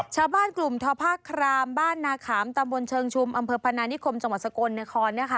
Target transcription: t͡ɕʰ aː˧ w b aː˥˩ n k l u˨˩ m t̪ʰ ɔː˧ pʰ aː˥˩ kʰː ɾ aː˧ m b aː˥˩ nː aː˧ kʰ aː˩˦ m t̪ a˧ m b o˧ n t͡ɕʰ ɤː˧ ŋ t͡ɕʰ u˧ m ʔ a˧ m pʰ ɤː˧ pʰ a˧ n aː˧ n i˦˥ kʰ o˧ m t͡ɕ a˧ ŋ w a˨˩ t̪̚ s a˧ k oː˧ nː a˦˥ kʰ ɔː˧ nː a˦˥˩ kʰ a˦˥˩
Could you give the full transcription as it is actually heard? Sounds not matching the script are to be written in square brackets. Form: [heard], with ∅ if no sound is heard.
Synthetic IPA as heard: t͡ɕʰ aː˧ w b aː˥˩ n k l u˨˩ m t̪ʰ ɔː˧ pʰ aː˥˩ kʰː ɾ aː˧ m b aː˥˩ nː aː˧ kʰ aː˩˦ m t̪ a˧ m b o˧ n t͡ɕʰ ɤː˧ ŋ t͡ɕʰ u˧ m ʔ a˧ m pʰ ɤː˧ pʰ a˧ n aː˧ n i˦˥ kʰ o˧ m t͡ɕ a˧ ŋ w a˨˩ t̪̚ s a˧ k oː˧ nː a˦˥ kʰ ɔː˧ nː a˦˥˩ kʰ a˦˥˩